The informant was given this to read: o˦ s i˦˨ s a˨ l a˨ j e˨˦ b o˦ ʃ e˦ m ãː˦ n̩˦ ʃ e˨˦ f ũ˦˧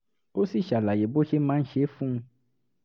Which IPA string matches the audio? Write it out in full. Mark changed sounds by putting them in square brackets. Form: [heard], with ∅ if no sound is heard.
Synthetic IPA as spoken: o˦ s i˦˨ [ʃ] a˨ l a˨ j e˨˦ b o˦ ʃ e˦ m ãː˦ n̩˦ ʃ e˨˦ f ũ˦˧